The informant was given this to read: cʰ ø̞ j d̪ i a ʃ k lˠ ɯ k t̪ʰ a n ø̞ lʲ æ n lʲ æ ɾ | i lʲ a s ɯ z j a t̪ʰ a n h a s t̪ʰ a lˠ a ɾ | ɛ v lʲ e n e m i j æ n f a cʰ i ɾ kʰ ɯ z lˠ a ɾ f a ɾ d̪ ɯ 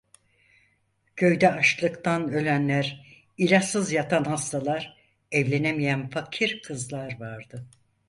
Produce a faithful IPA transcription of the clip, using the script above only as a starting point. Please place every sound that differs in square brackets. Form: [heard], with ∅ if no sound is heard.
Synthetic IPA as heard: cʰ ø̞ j d̪ [ɛ] a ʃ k lˠ ɯ k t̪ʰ a n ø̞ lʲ æ n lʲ æ ɾ | i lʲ a s ɯ z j a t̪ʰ a n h a s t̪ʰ a lˠ a ɾ | ɛ v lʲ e n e m i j æ n f a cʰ i ɾ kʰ ɯ z lˠ a ɾ [v] a ɾ d̪ ɯ